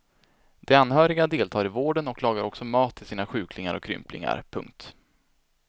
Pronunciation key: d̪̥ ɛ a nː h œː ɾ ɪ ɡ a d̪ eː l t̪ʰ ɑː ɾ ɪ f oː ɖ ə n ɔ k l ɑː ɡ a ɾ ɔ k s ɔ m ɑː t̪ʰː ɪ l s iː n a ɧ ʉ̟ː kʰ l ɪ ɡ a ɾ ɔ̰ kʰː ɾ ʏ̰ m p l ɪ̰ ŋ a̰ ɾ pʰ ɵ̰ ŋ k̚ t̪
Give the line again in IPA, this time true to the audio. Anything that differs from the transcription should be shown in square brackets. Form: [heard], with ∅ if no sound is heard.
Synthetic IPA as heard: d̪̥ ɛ a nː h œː ɾ ɪ ɡ a d̪ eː l t̪ʰ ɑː ɾ ɪ [v] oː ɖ ə n ɔ k l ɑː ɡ a ɾ ɔ k s ɔ m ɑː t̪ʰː ɪ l s iː n a ɧ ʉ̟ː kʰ l ɪ [ŋ] a ɾ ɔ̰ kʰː ɾ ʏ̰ m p l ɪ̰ ŋ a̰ ɾ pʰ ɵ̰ ŋ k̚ t̪

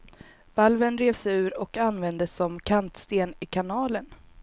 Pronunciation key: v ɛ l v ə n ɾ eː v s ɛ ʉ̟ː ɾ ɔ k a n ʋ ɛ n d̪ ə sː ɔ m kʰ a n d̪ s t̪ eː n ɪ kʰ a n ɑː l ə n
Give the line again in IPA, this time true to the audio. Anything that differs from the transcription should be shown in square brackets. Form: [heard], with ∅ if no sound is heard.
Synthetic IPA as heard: v [a] l v ə n ɾ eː v s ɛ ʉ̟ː ɾ ɔ k a n [v] ɛ n d̪ ə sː ɔ m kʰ a n [t̪] s t̪ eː n ɪ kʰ a n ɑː l ə n

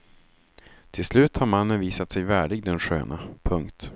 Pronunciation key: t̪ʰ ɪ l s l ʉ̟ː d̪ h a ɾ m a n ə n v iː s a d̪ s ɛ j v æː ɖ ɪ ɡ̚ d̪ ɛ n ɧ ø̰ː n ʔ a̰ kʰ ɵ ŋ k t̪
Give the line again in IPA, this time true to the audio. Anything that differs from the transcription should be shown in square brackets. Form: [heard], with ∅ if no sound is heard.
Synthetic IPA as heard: t̪ʰ ɪ l s l ʉ̟ː [t̪] h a ɾ m a [nː] ə n v iː s a [t̪] s ɛ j v æː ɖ ɪ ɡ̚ d̪ ɛ n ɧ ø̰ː n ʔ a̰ [pʰ] ɵ ŋ k t̪

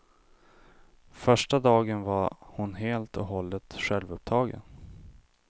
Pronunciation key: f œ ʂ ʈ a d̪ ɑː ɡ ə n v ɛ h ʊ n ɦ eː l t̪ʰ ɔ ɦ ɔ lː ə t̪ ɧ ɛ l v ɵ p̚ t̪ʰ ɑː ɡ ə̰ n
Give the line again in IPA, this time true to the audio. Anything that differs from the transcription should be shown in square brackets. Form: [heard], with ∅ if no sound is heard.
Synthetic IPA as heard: f œ ʂ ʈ a d̪ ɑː ɡ ə n v [a] h ʊ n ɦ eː l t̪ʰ ɔ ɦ ɔ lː ə t̪ ɧ ɛ l v ɵ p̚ t̪ʰ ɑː ɡ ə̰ n

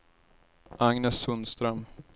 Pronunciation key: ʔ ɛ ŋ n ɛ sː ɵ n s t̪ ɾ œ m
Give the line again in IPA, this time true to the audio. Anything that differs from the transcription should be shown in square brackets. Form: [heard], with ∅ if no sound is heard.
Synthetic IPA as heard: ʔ [a] ŋ n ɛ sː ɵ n s t̪ ɾ œ m

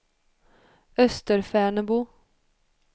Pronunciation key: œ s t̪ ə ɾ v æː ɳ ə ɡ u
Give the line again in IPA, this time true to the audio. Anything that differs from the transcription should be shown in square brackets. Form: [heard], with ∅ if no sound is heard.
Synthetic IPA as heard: œ s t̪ ə ɾ [f] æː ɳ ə [b] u

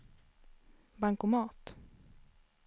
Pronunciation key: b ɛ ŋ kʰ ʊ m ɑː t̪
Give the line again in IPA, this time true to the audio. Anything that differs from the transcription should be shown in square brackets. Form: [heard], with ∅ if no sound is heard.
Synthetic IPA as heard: b [a] ŋ [k] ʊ m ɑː t̪

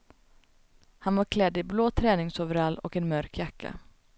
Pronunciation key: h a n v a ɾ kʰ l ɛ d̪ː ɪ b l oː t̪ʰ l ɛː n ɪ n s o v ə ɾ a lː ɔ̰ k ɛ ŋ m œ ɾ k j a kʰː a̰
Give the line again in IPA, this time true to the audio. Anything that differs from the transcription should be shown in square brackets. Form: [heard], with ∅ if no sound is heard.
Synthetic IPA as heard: h a n v a ɾ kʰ l ɛ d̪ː ɪ b l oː t̪ʰ [ɾ] ɛː n ɪ [ŋ] s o v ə ɾ a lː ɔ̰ k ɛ [n] m œ ɾ k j a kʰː a̰

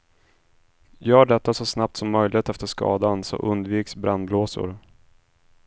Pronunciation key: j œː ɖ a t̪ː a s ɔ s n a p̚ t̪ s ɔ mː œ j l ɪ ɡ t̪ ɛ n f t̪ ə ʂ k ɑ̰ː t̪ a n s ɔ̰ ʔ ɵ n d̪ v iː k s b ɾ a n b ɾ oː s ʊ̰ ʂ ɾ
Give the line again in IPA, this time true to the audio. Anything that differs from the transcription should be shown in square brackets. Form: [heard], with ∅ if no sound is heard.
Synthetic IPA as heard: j œː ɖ [ɛ] t̪ː a s ɔ s n a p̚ t̪ s ɔ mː œ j l ɪ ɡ t̪ ɛ [∅] f t̪ ə ʂ k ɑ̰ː [d̪] a n s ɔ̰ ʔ ɵ n d̪ v iː k s b ɾ a n b [l] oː s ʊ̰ [∅] ɾ

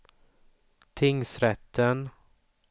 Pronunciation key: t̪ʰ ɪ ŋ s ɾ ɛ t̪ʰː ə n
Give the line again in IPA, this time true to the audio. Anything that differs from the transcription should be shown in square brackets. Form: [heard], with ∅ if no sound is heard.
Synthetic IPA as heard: t̪ʰ ɪ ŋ s ɾ ɛ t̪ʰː ə n

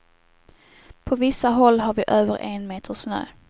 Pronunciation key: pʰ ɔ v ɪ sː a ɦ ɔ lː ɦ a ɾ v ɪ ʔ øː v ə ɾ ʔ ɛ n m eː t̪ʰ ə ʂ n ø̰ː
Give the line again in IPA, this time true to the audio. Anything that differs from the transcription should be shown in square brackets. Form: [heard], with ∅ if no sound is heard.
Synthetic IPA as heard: pʰ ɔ v ɪ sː a ɦ ɔ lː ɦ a ɾ v ɪ ʔ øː v ə ɾ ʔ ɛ n m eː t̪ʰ ə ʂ n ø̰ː

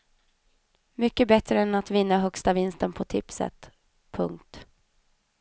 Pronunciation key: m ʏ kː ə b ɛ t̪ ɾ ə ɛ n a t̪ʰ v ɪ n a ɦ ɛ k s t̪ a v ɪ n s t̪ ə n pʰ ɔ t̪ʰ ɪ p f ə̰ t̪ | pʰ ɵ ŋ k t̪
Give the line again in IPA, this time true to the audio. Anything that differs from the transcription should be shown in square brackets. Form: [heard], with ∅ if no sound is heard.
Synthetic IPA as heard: m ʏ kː ə b ɛ t̪ ɾ ə ɛ n a [t̪] v ɪ [nː] a ɦ [œ] k s t̪ a v ɪ n s t̪ ə n pʰ ɔ t̪ʰ ɪ p [s] ə̰ t̪ | pʰ ɵ ŋ k t̪

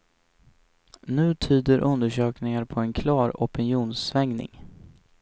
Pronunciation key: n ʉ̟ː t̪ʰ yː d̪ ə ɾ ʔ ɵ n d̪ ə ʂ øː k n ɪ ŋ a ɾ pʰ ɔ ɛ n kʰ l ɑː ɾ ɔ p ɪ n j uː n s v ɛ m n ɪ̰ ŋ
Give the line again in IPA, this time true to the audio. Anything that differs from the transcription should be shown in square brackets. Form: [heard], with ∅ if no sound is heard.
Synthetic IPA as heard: n ʉ̟ː t̪ʰ yː d̪ ə ɾ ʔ ɵ n d̪ ə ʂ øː k n ɪ ŋ a ɾ pʰ ɔ ɛ n kʰ l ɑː ɾ ɔ p ɪ n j uː n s v ɛ [ŋ] n ɪ̰ ŋ

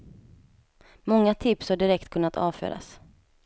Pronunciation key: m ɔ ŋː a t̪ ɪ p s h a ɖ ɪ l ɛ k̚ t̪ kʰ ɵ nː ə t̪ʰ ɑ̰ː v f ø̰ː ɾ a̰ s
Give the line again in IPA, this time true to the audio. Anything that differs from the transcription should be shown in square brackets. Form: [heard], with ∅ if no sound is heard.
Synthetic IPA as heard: m ɔ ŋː a [t̪ʰ] ɪ p s h a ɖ ɪ [ɾ] ɛ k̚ t̪ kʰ ɵ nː [a] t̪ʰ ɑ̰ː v f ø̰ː ɾ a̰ s

